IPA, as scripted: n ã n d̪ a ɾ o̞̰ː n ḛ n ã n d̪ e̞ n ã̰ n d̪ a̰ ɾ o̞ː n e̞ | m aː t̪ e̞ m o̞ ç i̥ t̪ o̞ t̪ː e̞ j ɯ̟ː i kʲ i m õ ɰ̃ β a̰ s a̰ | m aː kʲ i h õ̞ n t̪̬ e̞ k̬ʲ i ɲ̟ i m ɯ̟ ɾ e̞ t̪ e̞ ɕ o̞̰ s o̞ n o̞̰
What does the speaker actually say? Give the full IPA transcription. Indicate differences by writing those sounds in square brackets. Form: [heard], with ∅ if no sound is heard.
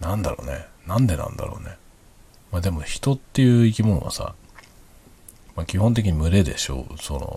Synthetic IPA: n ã n d̪ a ɾ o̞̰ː n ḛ n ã n d̪ e̞ n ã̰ n d̪ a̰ ɾ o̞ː n e̞ | m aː [d̪] e̞ m o̞ ç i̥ t̪ o̞ t̪ː e̞ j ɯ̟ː i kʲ i m õ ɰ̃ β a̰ s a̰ | m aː kʲ i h õ̞ n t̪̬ e̞ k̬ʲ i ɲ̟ i m ɯ̟ ɾ e̞ [d̪] e̞ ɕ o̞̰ s o̞ n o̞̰